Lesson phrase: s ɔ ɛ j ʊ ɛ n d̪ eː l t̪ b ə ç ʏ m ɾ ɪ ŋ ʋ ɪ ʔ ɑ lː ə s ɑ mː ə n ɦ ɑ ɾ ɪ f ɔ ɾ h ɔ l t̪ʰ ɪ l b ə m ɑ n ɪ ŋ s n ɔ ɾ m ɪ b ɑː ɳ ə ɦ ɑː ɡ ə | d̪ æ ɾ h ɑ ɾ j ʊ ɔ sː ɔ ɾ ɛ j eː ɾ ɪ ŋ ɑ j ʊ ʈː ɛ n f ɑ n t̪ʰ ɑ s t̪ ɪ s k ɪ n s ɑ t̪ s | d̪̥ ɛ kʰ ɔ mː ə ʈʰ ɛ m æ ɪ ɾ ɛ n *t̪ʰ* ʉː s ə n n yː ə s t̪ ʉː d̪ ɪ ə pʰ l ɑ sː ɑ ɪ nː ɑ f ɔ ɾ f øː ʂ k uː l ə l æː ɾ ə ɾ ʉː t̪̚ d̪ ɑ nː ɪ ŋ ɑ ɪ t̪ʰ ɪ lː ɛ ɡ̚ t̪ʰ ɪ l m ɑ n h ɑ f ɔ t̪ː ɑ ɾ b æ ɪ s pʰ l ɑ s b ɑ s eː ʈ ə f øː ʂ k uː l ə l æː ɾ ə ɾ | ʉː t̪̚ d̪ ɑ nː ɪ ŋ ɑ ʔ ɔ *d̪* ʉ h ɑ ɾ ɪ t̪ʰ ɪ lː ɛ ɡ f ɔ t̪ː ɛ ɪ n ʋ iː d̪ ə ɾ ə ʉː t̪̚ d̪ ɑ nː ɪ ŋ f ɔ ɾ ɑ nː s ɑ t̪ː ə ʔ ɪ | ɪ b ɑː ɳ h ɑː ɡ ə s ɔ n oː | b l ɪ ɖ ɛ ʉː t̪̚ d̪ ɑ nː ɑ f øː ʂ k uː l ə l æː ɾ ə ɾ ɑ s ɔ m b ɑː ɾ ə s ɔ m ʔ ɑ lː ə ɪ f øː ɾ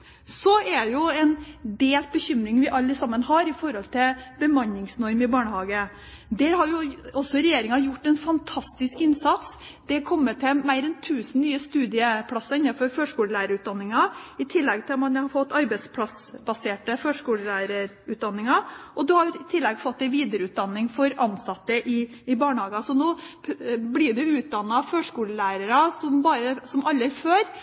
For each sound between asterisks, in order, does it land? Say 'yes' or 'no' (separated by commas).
yes, yes